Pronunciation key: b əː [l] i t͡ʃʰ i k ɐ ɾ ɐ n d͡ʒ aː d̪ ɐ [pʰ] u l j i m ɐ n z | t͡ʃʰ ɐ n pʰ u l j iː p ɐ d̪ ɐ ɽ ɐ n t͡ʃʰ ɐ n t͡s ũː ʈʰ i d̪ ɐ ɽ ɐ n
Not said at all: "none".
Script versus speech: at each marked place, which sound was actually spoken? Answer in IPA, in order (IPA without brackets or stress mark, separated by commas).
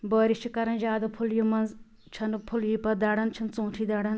ɾ, pʰ